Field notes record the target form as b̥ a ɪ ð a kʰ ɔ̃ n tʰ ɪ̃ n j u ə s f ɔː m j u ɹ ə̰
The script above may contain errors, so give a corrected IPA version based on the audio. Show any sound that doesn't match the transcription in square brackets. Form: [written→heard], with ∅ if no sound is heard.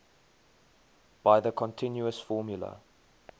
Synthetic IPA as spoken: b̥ a ɪ ð [a→ə] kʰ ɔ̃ n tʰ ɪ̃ n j u ə s f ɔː m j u [ɹ→l] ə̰